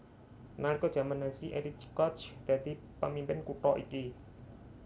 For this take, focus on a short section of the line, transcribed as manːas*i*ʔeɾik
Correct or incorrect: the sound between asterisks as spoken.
correct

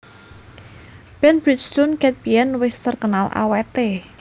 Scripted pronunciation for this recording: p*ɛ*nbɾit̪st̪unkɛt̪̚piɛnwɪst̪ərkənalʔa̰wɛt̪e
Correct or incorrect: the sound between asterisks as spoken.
correct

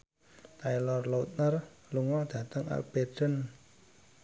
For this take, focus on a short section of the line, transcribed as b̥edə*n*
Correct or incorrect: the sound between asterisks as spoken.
correct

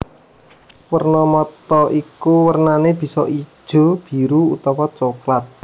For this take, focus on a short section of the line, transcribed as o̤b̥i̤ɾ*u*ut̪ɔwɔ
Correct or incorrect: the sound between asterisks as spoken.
correct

